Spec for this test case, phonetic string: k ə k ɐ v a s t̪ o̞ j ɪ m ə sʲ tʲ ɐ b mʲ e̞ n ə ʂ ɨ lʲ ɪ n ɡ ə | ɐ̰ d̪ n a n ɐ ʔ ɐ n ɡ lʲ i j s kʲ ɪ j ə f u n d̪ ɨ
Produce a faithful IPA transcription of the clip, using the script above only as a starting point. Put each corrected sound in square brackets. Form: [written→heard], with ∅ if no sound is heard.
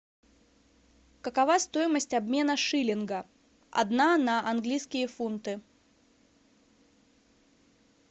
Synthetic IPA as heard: k ə k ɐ v a s t̪ o̞ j ɪ m ə sʲ tʲ ɐ b mʲ e̞ n ə ʂ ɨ lʲ ɪ n ɡ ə | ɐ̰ d̪ n a n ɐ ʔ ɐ n ɡ lʲ i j s kʲ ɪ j ə f u n [d̪→t̪] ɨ